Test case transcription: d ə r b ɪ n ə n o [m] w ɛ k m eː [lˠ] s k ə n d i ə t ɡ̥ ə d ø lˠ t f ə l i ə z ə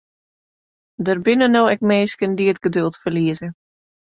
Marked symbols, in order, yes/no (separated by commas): no, no